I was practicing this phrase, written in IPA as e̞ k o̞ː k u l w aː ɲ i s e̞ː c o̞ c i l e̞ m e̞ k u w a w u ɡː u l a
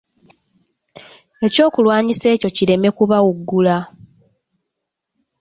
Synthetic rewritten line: e̞ c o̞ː k u l w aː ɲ i s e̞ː c o̞ c i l e̞ m e̞ k u β a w u ɡː u l a